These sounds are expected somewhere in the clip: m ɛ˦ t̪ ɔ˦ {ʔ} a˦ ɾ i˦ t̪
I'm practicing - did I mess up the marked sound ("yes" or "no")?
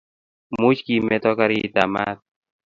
yes